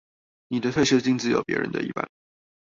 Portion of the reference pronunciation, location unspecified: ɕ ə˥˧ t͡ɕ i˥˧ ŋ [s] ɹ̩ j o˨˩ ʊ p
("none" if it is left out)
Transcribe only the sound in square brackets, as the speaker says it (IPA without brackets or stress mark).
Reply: t͡s